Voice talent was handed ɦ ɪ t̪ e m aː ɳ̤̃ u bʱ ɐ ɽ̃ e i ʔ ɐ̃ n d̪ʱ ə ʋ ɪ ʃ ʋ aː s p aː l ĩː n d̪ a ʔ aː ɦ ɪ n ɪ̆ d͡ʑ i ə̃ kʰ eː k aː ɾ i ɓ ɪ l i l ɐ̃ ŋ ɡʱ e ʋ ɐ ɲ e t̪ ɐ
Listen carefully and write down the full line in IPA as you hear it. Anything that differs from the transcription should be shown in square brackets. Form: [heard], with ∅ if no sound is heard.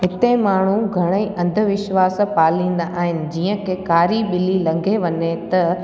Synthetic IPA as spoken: ɦ ɪ t̪ e m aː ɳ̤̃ u [ɡʱ] ɐ ɽ̃ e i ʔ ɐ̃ n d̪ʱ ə ʋ ɪ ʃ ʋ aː s p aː l ĩː n d̪ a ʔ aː ɦ ɪ n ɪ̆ d͡ʑ [iː] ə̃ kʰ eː k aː ɾ i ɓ ɪ l i l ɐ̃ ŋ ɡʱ e ʋ ɐ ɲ e t̪ ɐ